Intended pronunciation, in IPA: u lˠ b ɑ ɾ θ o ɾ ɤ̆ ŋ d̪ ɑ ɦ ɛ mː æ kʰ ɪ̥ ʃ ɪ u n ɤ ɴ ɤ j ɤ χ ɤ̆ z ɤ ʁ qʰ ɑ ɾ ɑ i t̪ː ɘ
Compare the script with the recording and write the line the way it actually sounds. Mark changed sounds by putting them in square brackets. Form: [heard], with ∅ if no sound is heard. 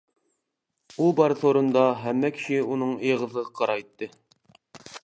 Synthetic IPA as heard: u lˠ b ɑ ɾ θ o ɾ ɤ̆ [n] d̪ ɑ ɦ [æ] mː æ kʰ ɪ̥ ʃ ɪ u n ɤ ɴ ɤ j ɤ [ʁ] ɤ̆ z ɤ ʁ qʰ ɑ ɾ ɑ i t̪ː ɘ